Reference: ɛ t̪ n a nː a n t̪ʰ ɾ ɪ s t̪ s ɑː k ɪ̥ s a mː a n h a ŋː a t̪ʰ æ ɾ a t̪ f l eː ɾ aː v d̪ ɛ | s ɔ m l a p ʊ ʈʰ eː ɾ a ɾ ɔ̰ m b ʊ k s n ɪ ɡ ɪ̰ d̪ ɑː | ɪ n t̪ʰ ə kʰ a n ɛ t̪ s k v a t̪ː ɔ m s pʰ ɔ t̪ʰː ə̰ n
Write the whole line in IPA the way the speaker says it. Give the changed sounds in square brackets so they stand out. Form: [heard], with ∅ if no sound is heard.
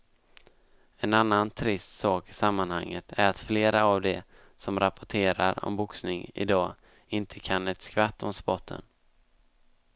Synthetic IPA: ɛ [∅] n a nː a n t̪ʰ ɾ ɪ s t̪ s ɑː k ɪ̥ s a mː a n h a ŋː [ə] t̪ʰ æ ɾ a t̪ f l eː ɾ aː v d̪ ɛ | s ɔ m [ɾ] a p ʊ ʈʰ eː ɾ a ɾ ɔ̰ m b ʊ k s n ɪ [ŋ] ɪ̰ d̪ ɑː | ɪ n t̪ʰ ə kʰ a n ɛ t̪ s k v a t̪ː ɔ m s [p] ɔ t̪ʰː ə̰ n